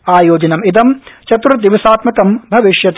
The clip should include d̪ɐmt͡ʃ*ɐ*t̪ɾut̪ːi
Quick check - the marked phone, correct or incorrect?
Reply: correct